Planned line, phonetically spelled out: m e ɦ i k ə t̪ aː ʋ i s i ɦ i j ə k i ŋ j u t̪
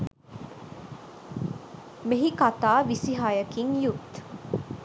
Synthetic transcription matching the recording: m e ɦ i k a t̪ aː ʋ i s i ɦ a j ə k i ŋ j u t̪